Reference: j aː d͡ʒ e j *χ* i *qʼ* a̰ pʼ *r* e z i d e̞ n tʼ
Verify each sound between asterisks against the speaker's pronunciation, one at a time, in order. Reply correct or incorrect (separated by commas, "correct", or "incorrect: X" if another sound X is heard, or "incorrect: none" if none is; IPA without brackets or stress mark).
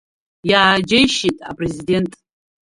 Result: incorrect: ʃ, incorrect: tʼ, correct